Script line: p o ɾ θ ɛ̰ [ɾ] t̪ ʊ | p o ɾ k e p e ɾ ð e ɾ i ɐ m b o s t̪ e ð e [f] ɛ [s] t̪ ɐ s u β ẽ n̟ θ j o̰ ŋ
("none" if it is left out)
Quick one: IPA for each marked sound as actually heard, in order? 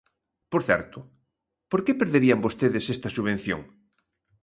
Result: ɾ, s, s

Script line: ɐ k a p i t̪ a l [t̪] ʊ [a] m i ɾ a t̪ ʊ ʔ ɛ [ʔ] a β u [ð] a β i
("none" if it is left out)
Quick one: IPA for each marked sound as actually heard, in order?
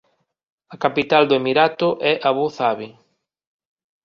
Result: d̪, e, ʔ, θ

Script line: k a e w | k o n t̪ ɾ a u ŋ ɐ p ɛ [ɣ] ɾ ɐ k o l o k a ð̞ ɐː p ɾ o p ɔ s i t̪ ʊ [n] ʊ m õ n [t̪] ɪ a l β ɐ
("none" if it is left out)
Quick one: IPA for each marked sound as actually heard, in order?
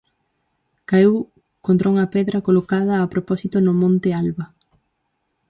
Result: ð, n, t̪

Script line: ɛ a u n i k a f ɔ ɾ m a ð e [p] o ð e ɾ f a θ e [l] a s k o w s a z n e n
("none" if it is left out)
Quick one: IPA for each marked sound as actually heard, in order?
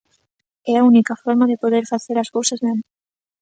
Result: p, ɾ

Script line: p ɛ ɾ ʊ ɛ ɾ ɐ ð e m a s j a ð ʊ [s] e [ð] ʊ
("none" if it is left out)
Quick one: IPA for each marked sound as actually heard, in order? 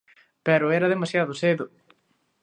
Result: s, ð

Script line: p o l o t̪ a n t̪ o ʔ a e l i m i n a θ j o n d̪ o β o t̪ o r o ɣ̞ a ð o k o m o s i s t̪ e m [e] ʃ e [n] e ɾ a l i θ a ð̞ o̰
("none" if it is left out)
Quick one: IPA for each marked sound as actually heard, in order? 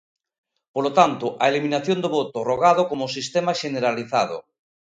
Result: a, n

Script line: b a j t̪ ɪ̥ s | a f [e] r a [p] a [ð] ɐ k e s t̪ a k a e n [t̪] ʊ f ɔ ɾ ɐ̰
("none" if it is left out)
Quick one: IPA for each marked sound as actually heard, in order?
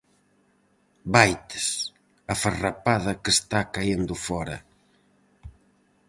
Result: a, p, ð, d̪

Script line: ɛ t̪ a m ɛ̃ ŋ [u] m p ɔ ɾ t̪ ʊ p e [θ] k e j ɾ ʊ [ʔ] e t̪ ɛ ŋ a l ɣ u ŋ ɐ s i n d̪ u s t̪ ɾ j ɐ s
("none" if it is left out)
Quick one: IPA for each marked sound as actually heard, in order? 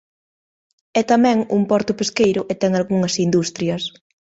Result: u, s, ʔ

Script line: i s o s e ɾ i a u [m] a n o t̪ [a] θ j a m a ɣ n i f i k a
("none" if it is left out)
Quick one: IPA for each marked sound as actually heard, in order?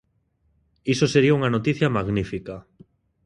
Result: ŋ, i

